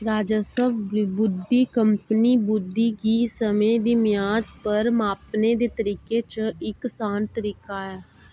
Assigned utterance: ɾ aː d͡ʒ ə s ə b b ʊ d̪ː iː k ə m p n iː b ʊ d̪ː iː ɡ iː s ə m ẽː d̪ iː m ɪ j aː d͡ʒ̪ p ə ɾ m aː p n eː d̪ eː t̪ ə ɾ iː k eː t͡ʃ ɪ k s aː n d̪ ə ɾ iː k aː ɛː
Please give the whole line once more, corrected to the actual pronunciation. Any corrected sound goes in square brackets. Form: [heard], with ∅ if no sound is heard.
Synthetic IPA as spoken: ɾ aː d͡ʒ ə s ə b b ʊ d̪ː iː k ə m p n iː b ʊ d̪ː iː ɡ iː s ə m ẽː d̪ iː m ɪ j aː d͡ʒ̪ p ə ɾ m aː p n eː d̪ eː t̪ ə ɾ iː k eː t͡ʃ ɪ k s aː n [t̪] ə ɾ iː k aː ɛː